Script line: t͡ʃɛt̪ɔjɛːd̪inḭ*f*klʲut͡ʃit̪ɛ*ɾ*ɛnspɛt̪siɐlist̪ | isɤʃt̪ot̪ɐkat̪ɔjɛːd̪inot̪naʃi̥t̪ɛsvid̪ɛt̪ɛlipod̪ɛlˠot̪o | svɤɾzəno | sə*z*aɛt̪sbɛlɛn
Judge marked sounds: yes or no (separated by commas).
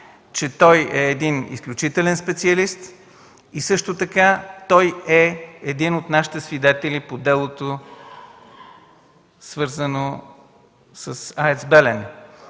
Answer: no, no, no